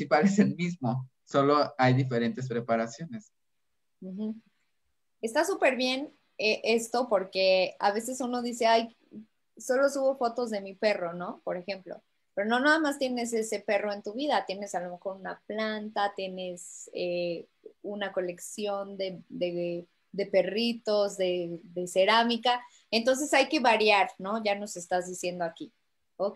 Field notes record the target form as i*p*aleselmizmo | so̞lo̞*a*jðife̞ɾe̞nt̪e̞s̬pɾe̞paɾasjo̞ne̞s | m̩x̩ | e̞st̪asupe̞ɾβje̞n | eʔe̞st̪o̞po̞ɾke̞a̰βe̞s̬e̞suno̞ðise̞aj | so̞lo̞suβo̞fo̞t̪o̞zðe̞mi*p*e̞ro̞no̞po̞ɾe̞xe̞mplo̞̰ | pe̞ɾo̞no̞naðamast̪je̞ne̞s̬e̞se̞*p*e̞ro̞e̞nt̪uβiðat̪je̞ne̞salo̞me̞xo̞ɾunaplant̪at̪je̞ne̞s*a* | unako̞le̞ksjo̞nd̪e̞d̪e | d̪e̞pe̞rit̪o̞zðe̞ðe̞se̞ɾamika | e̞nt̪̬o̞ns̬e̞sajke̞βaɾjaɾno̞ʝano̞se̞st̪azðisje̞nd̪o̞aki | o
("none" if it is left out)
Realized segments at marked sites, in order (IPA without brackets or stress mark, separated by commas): p, a, p, p, e